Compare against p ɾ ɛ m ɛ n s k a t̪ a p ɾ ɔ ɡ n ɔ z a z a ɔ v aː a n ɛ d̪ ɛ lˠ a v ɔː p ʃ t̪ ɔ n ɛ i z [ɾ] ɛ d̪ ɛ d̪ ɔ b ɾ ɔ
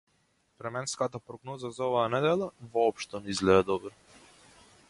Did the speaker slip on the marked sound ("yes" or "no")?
yes